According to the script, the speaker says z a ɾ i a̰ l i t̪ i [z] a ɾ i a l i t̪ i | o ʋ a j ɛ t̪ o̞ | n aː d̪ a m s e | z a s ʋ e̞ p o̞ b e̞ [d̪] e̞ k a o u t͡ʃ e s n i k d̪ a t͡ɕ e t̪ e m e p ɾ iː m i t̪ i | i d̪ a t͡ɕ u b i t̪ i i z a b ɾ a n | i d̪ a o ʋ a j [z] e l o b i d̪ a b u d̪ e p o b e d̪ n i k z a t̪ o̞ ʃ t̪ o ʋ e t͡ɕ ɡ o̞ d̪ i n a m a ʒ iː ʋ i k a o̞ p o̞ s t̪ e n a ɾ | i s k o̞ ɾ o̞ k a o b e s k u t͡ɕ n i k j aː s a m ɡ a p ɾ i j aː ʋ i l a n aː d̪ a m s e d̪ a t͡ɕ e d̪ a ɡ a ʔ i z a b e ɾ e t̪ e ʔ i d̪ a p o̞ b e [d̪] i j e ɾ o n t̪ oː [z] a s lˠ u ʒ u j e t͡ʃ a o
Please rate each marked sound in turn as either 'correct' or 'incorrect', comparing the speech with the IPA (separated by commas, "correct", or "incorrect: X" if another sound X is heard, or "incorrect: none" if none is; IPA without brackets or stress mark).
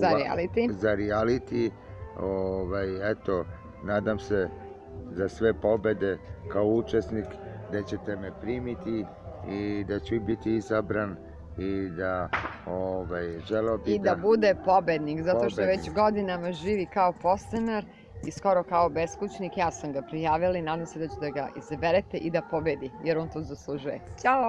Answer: correct, correct, incorrect: ʒ, correct, correct